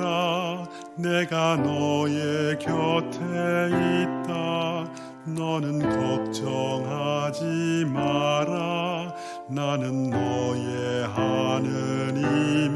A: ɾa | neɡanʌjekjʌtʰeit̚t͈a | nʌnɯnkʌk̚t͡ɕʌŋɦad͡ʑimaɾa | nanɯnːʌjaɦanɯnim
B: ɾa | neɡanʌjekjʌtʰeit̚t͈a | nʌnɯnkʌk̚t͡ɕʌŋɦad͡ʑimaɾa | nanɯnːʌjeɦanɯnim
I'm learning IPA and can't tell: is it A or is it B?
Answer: B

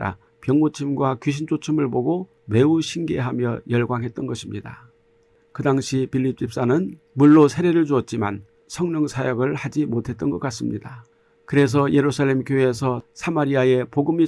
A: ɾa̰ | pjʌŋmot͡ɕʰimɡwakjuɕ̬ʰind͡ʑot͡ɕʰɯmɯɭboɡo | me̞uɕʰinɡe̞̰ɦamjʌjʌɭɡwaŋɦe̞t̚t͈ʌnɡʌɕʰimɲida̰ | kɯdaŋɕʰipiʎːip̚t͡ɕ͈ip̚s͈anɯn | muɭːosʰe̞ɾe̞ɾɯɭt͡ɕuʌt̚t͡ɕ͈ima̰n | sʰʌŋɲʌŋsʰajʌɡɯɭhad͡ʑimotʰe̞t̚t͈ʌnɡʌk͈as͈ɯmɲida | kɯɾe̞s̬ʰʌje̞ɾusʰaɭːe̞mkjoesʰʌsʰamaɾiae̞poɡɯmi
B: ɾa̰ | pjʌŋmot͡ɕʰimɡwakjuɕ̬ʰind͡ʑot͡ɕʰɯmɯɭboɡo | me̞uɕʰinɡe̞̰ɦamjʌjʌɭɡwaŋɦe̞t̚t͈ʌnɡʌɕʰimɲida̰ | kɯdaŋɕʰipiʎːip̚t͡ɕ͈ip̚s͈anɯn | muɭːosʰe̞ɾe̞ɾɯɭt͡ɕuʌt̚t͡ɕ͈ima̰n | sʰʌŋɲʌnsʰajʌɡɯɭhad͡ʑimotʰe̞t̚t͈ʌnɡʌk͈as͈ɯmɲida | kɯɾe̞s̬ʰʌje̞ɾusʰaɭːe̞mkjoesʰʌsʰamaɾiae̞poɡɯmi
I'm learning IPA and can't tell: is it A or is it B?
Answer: A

